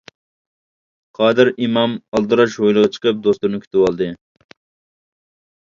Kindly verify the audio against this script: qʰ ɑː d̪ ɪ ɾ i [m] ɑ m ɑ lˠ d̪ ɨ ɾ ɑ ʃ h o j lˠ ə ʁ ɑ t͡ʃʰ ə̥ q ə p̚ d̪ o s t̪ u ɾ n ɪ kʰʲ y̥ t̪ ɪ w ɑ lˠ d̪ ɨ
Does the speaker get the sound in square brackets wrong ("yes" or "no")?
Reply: no